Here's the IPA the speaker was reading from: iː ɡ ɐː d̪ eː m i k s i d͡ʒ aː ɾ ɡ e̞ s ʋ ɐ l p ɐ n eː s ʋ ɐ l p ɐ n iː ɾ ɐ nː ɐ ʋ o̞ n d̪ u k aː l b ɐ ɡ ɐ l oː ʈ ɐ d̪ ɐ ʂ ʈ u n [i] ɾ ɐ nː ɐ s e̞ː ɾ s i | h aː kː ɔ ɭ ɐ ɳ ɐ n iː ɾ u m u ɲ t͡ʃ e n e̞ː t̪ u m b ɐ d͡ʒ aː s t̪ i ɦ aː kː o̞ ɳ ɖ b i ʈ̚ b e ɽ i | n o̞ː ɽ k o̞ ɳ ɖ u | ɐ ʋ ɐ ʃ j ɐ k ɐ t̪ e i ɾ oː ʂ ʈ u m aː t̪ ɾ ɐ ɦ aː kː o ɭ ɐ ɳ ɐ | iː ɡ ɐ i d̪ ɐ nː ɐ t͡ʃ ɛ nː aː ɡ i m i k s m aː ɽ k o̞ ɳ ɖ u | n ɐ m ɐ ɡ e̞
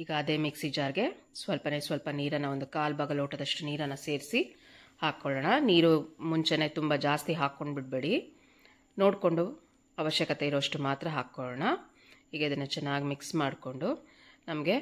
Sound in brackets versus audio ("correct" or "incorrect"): incorrect